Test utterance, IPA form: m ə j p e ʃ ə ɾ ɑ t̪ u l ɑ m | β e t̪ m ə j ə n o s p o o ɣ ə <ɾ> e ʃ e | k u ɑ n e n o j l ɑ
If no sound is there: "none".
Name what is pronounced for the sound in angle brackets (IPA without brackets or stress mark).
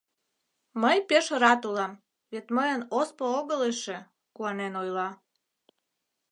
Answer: l